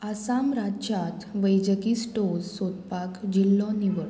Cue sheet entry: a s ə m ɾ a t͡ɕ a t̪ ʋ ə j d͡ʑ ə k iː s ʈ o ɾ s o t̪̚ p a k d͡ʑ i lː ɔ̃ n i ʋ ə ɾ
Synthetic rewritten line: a s a m ɾ a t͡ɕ a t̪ ʋ ə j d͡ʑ ə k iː s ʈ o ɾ s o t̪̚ p a k d͡ʑ i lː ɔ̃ n i ʋ ə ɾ